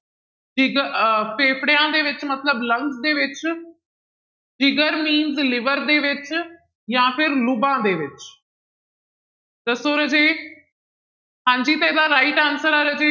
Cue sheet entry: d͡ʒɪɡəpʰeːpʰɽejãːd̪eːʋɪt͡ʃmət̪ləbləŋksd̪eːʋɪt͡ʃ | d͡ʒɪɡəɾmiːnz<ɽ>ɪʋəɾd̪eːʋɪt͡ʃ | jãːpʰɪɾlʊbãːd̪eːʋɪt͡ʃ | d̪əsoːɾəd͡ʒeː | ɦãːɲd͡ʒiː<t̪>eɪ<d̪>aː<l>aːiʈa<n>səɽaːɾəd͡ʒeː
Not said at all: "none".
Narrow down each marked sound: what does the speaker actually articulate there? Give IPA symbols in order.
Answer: l, t̪, d̪, ɾ, n

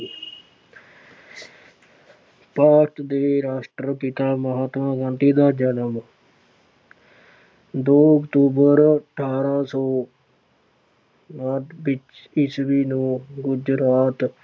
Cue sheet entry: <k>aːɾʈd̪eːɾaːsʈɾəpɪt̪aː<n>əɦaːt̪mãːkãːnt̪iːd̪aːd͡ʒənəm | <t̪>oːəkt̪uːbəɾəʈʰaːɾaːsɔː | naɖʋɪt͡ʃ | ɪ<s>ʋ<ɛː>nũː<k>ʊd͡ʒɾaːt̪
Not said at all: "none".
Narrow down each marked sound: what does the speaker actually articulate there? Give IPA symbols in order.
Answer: p, m, d̪, s, iː, ɡ

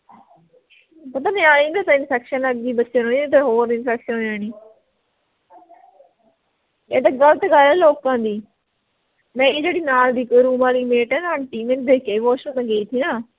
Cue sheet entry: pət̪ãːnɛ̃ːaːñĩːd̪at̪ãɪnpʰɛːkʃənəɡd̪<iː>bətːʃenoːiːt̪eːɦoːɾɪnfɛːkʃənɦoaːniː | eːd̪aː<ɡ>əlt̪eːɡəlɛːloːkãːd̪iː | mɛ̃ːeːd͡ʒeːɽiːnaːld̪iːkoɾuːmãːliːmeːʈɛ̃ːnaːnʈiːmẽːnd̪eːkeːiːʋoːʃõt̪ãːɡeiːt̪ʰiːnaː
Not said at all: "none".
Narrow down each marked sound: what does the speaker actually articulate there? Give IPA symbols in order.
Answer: iː, ɡ

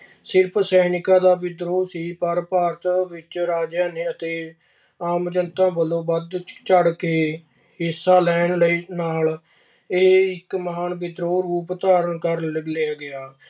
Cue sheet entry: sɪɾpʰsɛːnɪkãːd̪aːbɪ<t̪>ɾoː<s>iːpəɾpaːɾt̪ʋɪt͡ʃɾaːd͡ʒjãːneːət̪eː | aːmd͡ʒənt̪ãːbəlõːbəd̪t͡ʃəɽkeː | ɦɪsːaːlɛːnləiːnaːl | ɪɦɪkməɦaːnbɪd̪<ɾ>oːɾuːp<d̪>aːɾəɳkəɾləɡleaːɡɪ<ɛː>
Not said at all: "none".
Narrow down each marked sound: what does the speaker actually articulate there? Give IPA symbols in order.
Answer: d̪, s, ɾ, t̪, aː

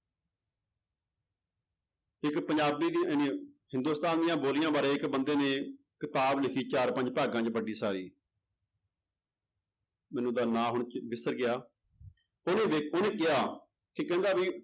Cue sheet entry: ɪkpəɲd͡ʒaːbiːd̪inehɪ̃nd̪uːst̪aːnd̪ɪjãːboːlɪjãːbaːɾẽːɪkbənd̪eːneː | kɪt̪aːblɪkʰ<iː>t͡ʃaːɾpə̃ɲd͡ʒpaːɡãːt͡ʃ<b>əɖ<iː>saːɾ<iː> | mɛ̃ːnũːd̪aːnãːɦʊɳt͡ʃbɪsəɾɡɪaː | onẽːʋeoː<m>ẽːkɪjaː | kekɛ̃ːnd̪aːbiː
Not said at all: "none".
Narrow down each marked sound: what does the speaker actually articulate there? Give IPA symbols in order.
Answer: iː, b, iː, iː, n

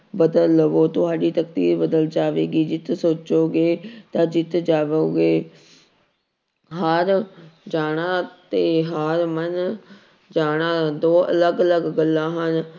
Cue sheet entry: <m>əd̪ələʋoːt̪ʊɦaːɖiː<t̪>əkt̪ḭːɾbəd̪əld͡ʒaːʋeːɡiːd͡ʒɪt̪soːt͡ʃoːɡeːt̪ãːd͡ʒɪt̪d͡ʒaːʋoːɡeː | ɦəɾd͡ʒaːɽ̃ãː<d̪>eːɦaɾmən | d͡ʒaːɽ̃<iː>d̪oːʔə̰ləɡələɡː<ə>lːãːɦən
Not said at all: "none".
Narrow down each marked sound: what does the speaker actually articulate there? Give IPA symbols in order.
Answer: b, t̪, t̪, aː, ə

